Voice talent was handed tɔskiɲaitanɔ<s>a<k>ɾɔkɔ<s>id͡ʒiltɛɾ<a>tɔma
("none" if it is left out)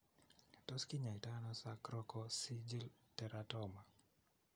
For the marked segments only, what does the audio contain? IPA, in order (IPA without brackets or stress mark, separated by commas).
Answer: s, k, s, a